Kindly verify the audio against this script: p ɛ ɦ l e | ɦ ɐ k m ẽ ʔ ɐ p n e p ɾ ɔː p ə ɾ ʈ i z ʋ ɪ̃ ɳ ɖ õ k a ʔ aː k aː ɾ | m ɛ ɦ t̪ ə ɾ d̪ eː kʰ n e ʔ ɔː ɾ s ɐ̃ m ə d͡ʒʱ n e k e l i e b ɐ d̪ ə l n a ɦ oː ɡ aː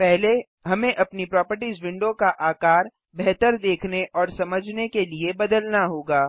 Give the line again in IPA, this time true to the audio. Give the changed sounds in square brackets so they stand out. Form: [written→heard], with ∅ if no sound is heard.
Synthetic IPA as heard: p ɛ ɦ l e | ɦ ɐ [k→∅] m ẽ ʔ ɐ p n [e→i] p ɾ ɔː p ə ɾ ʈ i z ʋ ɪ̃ ɳ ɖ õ k a ʔ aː k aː ɾ | [m→b] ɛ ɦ t̪ ə ɾ d̪ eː kʰ n e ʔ ɔː ɾ s [ɐ̃→ɐ] m ə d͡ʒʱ n e k e l i e b ɐ d̪ ə l n a ɦ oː ɡ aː